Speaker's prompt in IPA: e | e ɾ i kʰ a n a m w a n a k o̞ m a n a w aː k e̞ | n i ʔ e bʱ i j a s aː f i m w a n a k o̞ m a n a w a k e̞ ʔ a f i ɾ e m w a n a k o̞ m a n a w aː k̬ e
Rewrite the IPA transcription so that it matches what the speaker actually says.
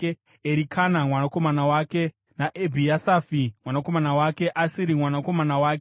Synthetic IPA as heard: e | e ɾ i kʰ a n a m w a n a k o̞ m a n a w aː k e̞ | n a ʔ e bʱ i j a s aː f i m w a n a k o̞ m a n a w a k e̞ ʔ a s i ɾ i m w a n a k o̞ m a n a w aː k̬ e

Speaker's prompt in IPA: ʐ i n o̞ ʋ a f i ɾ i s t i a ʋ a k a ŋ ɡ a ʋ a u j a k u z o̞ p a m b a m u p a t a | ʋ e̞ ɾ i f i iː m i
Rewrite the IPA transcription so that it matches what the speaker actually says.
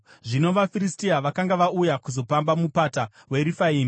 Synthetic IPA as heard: ʐ i n o̞ ʋ a f i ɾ i s t i a ʋ a k a ŋ ɡ a ʋ a u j a k u z o̞ p a m b a m u p a t a | w e̞ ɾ i f a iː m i

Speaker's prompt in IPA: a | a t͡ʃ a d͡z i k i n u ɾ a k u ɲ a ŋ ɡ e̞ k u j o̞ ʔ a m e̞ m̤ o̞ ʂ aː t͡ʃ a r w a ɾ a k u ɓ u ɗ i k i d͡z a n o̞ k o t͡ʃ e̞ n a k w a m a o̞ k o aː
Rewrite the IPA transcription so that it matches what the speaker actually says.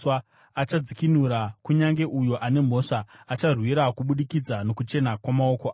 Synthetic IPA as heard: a | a t͡ʃ a d͡z i k i n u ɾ a k u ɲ a ŋ ɡ e̞ ʔ u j o̞ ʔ a n e̞ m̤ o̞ ʂ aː t͡ʃ a r w i ɾ a k u ɓ u ɗ i k i d͡z a n o̞ k u t͡ʃ e̞ n a k w a m a o̞ k o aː

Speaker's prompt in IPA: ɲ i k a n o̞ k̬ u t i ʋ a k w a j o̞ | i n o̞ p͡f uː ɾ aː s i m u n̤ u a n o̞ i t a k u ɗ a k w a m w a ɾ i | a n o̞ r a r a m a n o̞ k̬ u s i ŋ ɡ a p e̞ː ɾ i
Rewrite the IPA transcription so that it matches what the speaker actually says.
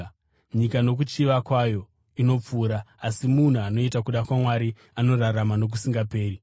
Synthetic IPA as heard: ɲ i k a n o̞ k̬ u t͡ʃ i ʋ a k w a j o̞ | i n o̞ p͡f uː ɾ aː s i m u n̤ u a n o̞ i t a k u ɗ a k w a m w a ɾ i | a n o̞ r a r a m a n o̞ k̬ u s i ŋ ɡ a p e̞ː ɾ i

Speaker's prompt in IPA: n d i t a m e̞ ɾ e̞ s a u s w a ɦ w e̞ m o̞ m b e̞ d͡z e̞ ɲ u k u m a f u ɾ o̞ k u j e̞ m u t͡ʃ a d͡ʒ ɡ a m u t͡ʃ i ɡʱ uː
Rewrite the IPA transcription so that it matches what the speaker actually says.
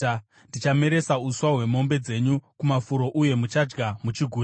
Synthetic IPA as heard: n d i t͡ʃ a m e̞ ɾ e̞ s a u s w a ɦ w e̞ m o̞ m b e̞ d͡z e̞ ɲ u k u m a f u ɾ o̞ ʔ u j e̞ m u t͡ʃ a d͡ʒ ɡ a m u t͡ʃ i ɡʱ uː

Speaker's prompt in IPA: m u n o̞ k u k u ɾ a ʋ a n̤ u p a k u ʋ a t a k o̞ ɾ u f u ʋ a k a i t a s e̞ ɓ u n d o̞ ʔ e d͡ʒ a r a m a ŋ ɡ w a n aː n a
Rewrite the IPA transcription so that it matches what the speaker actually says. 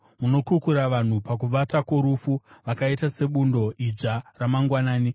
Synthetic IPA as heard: m u n o̞ k u k u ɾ a ʋ a n̤ u p a k u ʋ a t a k o̞ ɾ u f u ʋ a k a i t a s e̞ ɓ u n d o̞ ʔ i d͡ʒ a r a m a ŋ ɡ w a n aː n i

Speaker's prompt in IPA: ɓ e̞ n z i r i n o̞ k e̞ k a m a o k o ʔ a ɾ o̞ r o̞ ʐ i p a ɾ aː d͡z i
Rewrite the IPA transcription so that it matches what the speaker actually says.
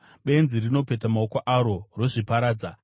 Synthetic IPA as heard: ɓ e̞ n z i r i n o̞ p e̞ t a m a o k o ʔ a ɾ o̞ r o̞ ʐ i p a ɾ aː d͡z a

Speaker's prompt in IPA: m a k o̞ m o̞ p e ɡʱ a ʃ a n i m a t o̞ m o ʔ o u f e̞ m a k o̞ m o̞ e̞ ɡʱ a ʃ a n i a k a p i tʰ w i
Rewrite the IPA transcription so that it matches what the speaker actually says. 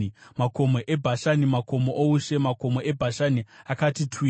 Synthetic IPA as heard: m a k o̞ m o̞ ʔ e bʱ a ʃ a n i m a k o̞ m o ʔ o u ʃ e̞ m a k o̞ m o̞ e̞ bʱ a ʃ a n i a k a t i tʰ w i

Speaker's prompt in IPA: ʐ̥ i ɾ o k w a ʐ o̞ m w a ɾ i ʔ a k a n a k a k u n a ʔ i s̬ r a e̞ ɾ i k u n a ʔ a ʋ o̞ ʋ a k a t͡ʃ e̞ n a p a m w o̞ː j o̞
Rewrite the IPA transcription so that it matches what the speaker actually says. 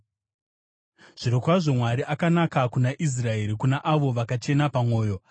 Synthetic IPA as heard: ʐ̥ i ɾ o k w a ʐ o̞ m w a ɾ i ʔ a k a n a k a k u n a ʔ i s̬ r a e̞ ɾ i k u n a ʔ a ʋ o̞ ʋ a k a t͡ʃ e̞ n a p a m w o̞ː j o̞

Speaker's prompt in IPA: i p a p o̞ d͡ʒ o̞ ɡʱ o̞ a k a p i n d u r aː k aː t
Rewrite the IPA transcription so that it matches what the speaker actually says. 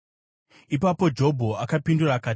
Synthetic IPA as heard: i p a p o̞ d͡ʒ o̞ bʱ o̞ a k a p i n d u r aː k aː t

